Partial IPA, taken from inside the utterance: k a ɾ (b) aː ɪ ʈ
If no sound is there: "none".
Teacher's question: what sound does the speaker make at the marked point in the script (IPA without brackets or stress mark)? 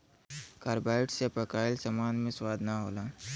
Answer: b